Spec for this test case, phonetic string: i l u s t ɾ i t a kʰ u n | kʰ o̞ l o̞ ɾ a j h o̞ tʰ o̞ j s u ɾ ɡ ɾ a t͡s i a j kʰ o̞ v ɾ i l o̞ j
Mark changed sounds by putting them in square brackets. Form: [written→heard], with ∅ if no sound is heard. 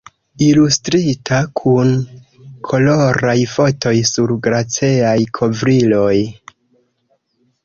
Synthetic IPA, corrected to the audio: i l u s t ɾ i t a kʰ u n | kʰ o̞ l o̞ ɾ a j [h→f] o̞ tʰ o̞ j s u ɾ ɡ ɾ a t͡s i a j kʰ o̞ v ɾ i l o̞ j